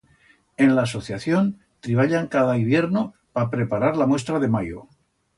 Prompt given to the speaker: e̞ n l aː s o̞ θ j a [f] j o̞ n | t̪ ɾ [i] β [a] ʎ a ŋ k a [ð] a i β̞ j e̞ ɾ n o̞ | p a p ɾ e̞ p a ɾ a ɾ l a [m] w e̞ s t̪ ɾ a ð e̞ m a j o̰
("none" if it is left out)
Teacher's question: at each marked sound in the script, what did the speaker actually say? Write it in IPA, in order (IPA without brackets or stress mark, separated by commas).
θ, i, a, ð, m